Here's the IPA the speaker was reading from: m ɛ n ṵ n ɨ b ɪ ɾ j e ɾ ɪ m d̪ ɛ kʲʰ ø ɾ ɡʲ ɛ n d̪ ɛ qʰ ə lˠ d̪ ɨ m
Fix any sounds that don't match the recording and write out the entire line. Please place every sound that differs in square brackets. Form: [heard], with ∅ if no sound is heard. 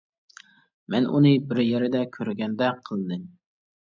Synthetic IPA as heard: m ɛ n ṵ n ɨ b ɪ ɾ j e ɾ ɪ [∅] d̪ ɛ kʲʰ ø ɾ ɡʲ ɛ n d̪ ɛ qʰ ə lˠ d̪ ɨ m